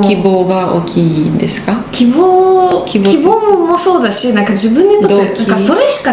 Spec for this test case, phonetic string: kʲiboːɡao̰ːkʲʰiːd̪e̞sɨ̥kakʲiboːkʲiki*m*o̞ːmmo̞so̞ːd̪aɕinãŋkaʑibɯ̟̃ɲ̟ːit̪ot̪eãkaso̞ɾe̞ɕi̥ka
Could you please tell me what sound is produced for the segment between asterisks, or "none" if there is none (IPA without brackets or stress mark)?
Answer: b